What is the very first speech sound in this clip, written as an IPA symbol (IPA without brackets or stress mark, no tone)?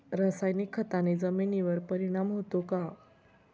ɾ